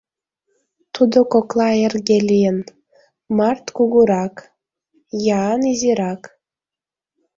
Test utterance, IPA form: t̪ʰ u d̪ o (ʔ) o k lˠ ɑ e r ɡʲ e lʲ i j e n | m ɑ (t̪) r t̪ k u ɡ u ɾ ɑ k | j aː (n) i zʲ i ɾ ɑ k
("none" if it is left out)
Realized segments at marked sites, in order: k, none, n

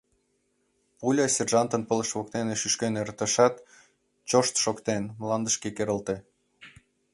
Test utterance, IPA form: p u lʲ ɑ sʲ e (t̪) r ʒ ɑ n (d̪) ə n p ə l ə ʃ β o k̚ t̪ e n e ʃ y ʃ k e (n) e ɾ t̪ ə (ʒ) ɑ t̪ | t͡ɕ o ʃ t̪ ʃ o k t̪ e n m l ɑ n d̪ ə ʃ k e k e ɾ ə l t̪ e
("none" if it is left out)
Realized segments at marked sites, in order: none, t̪, n, ʃ

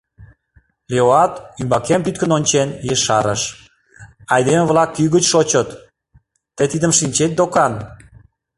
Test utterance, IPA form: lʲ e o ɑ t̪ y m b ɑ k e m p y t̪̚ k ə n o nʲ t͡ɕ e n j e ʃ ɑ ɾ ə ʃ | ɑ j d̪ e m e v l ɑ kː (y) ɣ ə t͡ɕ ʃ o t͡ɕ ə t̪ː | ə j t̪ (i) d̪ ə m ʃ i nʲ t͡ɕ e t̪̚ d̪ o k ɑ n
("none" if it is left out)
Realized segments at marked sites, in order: y, i

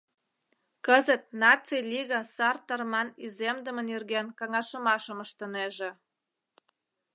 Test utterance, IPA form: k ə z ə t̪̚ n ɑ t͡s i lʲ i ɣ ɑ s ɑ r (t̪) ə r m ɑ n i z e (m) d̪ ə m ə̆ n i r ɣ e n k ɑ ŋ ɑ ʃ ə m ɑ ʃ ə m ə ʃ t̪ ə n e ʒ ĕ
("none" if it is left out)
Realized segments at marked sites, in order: t̪, m

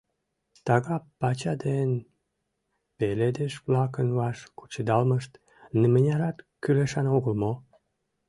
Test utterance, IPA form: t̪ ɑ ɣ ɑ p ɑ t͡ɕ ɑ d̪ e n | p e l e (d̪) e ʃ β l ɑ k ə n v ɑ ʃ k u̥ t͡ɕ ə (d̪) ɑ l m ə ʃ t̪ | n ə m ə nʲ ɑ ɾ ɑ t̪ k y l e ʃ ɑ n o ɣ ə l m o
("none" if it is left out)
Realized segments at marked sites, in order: d̪, d̪

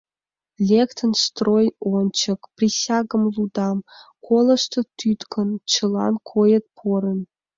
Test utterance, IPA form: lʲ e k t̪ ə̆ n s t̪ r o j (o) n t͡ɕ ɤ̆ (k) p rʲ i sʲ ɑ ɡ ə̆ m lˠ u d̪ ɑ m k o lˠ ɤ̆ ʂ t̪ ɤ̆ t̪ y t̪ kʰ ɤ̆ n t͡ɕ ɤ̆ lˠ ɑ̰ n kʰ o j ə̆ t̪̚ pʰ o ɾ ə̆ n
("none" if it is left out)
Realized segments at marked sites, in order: o, k

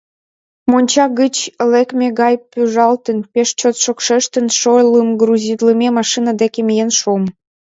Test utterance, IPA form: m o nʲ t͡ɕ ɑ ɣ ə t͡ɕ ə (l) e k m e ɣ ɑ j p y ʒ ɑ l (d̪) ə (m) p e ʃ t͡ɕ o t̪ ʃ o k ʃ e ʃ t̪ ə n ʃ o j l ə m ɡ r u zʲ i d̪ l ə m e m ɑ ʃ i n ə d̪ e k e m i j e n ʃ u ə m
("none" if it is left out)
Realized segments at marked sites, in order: l, t̪, n

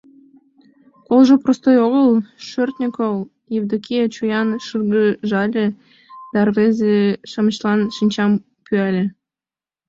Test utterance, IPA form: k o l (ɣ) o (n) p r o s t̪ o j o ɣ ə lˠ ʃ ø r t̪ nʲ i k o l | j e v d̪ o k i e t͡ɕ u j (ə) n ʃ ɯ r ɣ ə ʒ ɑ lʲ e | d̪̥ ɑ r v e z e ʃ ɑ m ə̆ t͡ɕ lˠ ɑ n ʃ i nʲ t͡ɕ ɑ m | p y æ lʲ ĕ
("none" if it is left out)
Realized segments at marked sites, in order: ʒ, none, ɑ

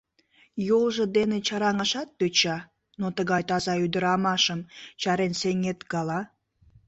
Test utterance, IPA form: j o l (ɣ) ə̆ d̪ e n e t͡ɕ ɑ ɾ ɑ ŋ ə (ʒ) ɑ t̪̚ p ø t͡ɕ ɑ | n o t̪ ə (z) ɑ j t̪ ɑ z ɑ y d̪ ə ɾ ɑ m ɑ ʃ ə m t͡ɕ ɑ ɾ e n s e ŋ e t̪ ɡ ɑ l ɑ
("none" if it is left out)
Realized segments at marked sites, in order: ʒ, ʃ, ɣ

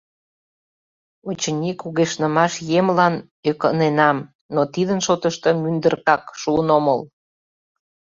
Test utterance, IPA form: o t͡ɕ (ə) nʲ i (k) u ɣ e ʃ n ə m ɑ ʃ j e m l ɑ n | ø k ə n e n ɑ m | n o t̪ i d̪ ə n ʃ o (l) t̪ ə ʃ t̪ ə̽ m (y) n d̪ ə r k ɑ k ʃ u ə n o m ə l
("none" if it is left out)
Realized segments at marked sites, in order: ə, k, none, y

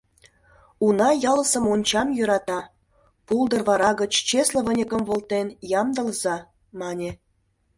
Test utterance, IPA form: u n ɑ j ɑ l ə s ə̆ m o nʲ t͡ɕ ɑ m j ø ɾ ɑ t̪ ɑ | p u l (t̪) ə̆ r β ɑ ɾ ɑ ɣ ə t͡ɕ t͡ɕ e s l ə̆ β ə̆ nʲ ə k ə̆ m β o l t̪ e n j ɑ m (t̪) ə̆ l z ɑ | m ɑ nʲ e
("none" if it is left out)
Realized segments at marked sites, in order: d̪, d̪

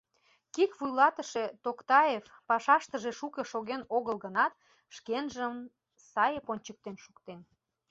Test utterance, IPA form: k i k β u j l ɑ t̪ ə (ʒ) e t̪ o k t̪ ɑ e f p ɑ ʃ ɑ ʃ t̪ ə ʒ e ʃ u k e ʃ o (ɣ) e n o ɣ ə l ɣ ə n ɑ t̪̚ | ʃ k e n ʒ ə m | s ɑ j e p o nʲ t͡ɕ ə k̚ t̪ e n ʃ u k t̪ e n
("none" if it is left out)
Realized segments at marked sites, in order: ʃ, ɣ

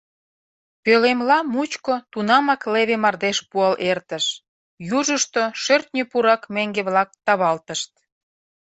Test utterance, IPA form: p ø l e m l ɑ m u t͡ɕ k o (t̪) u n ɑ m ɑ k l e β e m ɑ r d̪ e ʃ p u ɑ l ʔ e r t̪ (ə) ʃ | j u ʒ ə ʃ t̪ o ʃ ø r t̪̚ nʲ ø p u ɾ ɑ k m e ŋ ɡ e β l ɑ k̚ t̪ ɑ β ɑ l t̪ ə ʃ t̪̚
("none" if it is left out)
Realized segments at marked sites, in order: t̪, ə

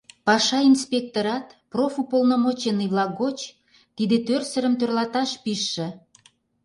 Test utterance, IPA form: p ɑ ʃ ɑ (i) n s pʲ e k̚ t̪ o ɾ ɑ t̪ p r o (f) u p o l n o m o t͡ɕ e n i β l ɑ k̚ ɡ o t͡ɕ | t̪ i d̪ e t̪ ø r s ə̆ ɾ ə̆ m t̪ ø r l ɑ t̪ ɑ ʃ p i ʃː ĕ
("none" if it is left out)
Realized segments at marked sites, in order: i, f

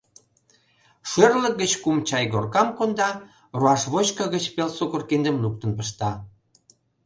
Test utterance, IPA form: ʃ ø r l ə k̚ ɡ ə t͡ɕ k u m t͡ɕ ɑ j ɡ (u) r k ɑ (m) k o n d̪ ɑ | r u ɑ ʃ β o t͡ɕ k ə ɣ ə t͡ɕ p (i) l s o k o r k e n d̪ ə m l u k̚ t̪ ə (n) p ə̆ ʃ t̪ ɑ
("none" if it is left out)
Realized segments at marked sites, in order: o, m, e, n

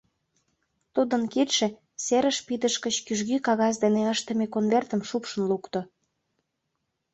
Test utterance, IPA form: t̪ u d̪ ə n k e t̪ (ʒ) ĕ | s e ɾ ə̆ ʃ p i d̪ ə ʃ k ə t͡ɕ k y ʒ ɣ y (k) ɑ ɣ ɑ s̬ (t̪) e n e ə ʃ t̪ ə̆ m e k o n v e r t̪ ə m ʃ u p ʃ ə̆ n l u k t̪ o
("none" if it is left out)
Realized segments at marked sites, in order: ʃ, k, d̪

